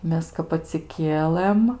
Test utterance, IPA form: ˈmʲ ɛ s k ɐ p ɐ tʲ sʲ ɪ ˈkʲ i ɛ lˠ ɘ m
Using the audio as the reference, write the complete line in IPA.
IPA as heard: ˈmʲ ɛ s k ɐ p ɐ tʲ sʲ ɪ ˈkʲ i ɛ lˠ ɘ m